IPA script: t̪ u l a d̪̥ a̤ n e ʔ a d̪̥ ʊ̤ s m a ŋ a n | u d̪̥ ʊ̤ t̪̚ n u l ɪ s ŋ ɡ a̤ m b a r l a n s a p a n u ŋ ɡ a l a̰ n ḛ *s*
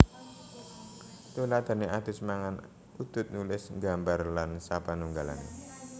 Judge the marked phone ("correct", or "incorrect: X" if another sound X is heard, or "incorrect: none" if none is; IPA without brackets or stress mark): incorrect: none